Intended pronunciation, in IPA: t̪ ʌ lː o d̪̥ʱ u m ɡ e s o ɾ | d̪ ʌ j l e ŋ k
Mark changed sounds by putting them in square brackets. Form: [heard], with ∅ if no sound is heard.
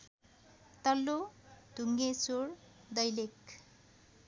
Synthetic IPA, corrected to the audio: t̪ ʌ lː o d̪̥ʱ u [ŋ] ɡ e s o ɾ | d̪ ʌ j l e [∅] k